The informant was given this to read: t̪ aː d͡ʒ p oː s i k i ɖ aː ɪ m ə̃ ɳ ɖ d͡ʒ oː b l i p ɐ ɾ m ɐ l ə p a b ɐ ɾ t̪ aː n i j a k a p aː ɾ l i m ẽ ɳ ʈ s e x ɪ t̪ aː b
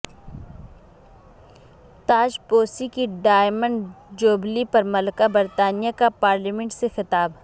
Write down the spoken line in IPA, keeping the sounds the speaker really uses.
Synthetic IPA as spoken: t̪ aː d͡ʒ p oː s i k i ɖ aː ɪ m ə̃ ɳ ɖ d͡ʒ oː b l i p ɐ ɾ m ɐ l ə k a b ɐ ɾ t̪ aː n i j a k a p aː ɾ l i m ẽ ɳ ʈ s e x ɪ t̪ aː b

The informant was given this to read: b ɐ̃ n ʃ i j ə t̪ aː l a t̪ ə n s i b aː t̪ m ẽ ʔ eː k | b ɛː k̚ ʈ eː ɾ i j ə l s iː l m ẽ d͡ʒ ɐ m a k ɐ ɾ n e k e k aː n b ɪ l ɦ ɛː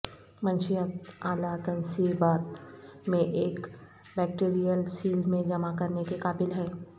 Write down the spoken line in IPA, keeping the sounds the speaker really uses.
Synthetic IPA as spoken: m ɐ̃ n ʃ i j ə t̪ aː l a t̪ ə n s i b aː t̪ m ẽ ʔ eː k | b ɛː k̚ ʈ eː ɾ i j ə l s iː l m ẽ d͡ʒ ɐ m a k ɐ ɾ n e k e k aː b ɪ l ɦ ɛː

